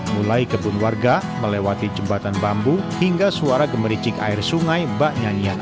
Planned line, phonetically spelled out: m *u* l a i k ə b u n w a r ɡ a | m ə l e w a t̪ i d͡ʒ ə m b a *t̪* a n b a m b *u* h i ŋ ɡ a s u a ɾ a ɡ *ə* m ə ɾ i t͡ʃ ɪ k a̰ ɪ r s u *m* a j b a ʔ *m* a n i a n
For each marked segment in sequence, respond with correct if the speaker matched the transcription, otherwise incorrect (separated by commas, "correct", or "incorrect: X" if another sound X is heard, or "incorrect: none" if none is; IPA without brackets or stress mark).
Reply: correct, correct, correct, correct, incorrect: ŋ, incorrect: ɲ